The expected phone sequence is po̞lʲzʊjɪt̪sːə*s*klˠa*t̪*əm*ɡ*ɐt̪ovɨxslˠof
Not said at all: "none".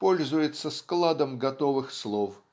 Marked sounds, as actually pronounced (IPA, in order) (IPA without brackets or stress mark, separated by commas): s, d̪, ɡ